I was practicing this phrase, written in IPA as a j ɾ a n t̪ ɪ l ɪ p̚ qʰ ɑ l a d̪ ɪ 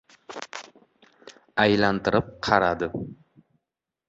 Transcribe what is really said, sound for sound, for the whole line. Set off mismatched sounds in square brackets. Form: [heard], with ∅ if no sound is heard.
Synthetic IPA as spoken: a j [l] a n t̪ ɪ [ɾ] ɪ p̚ qʰ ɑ [ɾ] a d̪ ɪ